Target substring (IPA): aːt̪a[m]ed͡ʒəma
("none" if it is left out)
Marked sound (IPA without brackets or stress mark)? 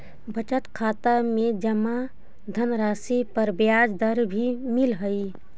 m